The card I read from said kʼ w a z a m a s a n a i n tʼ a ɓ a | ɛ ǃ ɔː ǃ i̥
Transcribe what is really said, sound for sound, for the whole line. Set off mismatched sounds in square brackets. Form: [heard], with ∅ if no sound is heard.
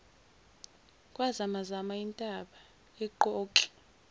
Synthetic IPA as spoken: kʼ w a z a m a [z] a [m] a i n tʼ a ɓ a | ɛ ǃ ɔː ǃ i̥